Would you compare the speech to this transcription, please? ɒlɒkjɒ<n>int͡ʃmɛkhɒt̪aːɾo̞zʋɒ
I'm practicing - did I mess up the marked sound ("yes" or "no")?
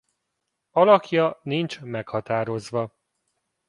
no